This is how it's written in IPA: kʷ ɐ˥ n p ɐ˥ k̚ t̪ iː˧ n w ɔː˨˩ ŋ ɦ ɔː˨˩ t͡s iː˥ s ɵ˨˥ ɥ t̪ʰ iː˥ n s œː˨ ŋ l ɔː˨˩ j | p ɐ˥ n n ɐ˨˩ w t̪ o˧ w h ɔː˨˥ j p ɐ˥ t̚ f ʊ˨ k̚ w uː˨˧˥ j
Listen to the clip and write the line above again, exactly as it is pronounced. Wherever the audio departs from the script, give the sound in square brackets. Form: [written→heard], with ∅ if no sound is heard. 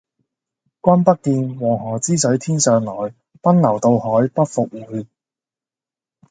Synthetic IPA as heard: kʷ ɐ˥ n p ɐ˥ k̚ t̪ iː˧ n w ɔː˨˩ ŋ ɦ ɔː˨˩ t͡s iː˥ s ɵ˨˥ ɥ t̪ʰ iː˥ n s œː˨ ŋ l ɔː˨˩ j | p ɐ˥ n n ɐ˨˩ w t̪ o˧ w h ɔː˨˥ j p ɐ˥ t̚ f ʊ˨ k̚ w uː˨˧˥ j